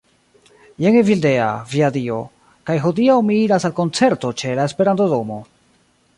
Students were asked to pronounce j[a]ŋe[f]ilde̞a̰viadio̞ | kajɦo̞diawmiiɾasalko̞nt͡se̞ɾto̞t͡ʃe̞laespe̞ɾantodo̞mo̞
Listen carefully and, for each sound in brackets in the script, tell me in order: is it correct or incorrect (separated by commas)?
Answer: incorrect, incorrect